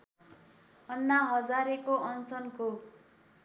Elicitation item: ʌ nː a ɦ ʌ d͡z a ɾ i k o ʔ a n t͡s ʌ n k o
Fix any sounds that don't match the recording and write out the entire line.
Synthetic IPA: ʌ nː a ɦ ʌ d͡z a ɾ e k o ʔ ʌ n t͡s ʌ n k o